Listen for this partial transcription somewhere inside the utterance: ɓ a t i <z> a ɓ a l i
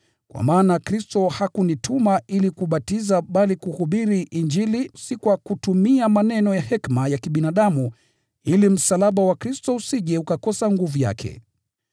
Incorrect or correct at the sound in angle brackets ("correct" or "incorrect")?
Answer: correct